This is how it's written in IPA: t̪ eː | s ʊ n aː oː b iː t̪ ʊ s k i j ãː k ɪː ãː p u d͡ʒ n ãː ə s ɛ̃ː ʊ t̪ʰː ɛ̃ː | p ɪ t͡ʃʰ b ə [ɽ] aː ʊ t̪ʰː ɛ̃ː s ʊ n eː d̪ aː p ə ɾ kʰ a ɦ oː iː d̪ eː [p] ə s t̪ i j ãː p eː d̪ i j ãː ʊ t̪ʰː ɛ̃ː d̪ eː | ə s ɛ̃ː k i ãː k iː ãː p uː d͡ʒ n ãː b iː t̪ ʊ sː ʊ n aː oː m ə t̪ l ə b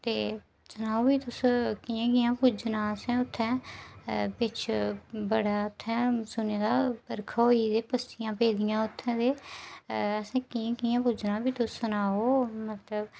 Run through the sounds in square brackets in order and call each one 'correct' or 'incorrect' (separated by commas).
correct, correct